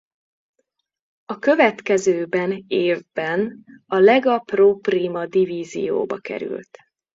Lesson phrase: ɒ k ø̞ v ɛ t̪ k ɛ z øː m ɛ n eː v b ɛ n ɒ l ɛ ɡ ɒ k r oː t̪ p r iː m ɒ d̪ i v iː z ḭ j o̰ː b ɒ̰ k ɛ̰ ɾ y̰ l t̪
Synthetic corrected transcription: ɒ k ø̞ v ɛ t̪ k ɛ z øː b ɛ n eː v b ɛ n ɒ l ɛ ɡ ɒ p r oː p r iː m ɒ d̪ i v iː z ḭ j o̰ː b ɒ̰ k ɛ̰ ɾ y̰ l t̪